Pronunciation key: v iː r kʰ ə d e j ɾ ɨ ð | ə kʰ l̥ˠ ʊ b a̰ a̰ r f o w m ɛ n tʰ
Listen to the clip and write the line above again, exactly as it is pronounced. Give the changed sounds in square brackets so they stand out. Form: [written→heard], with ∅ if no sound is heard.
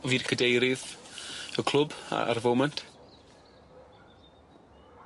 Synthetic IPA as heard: v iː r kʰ ə d e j ɾ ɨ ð | ə kʰ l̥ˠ ʊ b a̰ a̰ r [f→v] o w m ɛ n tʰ